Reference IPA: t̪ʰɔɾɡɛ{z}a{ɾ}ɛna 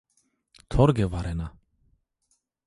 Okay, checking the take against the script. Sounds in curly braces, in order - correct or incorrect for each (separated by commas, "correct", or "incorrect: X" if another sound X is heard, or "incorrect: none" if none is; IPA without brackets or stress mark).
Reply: incorrect: v, correct